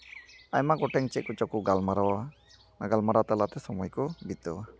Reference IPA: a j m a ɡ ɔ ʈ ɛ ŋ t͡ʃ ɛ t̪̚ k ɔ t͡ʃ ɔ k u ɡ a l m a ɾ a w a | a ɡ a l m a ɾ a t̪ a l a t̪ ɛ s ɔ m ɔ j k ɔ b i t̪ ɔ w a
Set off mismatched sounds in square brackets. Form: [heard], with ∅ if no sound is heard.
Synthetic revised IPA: a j m a ɡ ɔ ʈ ɛ ŋ t͡ʃ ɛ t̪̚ k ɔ t͡ʃ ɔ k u ɡ a l m a ɾ a w a | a ɡ a l m a ɾ a t̪ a l a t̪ ɛ s ɔ m ɔ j k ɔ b i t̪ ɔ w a